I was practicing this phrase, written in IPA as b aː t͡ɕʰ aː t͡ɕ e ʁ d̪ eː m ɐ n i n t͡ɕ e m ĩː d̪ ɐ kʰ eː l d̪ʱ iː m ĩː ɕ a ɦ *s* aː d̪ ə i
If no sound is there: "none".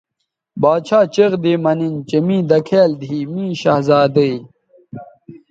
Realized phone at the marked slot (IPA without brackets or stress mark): z